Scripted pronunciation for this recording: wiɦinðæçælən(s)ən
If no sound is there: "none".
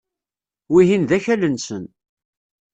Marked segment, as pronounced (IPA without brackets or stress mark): s